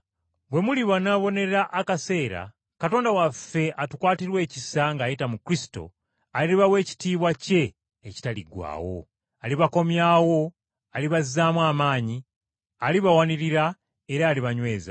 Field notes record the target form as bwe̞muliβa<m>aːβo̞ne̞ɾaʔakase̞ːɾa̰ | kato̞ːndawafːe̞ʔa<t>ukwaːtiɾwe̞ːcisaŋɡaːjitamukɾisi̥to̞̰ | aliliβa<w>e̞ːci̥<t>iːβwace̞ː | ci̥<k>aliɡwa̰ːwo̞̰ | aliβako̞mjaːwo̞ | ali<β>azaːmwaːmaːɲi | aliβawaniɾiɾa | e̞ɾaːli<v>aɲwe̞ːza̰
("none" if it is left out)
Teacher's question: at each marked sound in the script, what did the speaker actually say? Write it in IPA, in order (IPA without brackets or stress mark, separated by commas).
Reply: n, t, w, t, t, β, β